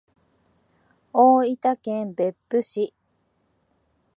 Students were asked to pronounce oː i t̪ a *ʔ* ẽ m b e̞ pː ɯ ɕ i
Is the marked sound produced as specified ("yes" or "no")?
no